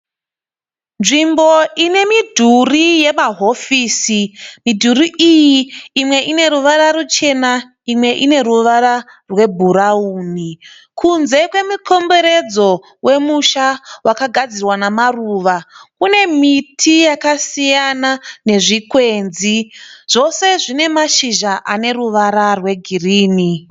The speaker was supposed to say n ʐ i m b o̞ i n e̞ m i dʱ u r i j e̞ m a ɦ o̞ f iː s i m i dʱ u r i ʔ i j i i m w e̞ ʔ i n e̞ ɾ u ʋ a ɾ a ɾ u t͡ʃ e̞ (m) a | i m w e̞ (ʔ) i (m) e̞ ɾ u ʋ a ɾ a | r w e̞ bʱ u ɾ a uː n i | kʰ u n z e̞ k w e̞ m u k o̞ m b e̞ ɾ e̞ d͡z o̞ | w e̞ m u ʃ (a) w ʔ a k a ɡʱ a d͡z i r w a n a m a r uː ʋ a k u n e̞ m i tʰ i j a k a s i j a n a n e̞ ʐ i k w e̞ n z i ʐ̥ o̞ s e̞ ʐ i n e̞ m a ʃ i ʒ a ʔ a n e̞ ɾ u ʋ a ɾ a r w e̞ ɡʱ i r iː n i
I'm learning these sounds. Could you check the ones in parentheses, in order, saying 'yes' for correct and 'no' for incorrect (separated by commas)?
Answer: no, yes, no, yes